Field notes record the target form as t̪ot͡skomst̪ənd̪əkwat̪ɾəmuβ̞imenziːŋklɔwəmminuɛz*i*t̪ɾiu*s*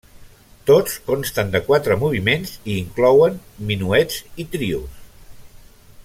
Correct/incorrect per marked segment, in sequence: correct, correct

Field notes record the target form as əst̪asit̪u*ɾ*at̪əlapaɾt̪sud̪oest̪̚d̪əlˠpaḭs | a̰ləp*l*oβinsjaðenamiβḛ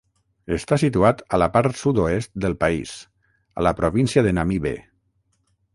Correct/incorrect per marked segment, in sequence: incorrect: none, incorrect: ɾ

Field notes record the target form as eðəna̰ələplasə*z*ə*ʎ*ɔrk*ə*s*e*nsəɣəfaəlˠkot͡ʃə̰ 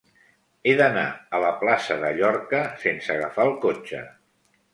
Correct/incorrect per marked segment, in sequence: incorrect: ð, correct, correct, correct

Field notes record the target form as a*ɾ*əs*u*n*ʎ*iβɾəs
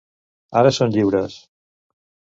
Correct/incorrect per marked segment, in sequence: correct, incorrect: o, correct

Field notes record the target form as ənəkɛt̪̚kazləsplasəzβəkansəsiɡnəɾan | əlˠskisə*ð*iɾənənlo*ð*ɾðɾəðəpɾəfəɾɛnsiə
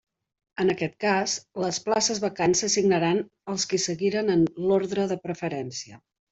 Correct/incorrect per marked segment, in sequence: incorrect: ɣ, incorrect: none

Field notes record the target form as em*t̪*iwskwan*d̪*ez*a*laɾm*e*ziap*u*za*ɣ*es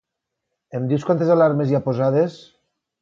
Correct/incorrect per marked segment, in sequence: incorrect: d̪, incorrect: t̪, correct, correct, incorrect: o, incorrect: ð

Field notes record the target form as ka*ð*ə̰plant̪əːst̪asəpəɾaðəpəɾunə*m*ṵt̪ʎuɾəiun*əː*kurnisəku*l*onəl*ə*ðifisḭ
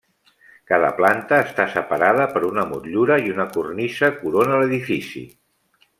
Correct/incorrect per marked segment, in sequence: correct, correct, incorrect: ə, incorrect: ɾ, correct

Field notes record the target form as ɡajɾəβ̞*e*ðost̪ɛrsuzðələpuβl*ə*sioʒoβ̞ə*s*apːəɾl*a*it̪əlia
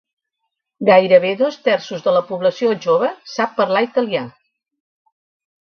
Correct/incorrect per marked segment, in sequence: correct, correct, correct, correct

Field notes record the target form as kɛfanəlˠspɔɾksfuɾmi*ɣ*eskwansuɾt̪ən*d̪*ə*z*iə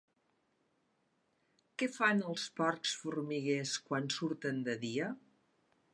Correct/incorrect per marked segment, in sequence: correct, correct, incorrect: ð

